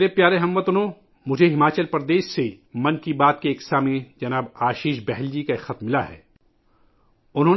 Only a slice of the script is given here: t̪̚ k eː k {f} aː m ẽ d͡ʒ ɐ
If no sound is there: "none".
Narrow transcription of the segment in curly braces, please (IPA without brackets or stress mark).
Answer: s